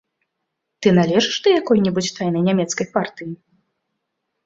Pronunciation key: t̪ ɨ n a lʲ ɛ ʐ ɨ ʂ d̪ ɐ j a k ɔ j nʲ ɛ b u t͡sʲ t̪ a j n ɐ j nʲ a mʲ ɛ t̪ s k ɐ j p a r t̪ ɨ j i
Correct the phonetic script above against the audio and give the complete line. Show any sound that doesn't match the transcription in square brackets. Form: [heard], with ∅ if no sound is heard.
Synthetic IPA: t̪ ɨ n a lʲ ɛ ʐ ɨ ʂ d̪ ɐ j a k ɔ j nʲ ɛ b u t͡sʲ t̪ a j n ɐ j nʲ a mʲ ɛ t̪ s k ɐ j p a r t̪ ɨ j i